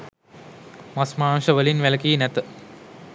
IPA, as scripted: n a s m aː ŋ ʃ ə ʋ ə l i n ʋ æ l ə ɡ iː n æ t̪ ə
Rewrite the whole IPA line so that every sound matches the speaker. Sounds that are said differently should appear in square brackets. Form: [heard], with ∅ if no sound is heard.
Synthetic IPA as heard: [m] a s m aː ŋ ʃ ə ʋ ə l i n ʋ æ l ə [k] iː n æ t̪ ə